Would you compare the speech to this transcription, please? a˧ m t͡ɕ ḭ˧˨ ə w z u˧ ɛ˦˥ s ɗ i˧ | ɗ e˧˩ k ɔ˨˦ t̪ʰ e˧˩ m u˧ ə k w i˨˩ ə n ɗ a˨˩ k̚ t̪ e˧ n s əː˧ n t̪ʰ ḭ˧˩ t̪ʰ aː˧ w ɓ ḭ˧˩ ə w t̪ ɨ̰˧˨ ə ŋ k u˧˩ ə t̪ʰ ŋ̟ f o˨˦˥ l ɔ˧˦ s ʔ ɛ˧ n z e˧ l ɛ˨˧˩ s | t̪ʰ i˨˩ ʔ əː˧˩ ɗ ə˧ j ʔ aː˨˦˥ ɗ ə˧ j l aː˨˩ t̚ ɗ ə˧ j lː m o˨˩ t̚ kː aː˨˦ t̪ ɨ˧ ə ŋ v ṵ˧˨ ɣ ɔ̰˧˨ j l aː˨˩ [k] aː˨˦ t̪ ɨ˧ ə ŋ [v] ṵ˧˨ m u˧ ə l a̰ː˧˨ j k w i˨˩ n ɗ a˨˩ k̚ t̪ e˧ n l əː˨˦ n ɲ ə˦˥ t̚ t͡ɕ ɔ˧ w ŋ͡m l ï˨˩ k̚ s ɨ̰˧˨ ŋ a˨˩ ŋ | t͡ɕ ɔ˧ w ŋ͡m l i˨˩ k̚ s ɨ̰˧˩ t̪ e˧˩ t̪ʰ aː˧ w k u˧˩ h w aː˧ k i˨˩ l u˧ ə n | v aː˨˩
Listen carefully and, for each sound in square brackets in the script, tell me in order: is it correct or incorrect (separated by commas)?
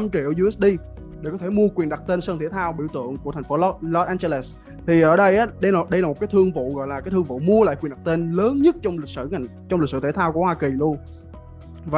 correct, correct